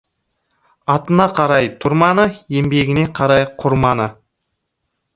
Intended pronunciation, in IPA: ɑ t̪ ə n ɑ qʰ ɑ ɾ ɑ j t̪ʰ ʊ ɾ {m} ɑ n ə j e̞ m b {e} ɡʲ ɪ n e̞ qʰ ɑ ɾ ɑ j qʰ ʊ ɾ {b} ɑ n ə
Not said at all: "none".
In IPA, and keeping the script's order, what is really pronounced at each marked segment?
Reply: m, e, m

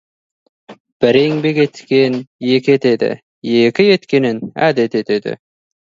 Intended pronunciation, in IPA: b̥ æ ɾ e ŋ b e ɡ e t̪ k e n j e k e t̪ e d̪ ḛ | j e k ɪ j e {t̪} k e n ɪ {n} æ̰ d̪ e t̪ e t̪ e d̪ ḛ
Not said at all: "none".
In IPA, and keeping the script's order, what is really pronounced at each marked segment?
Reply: t̪, n

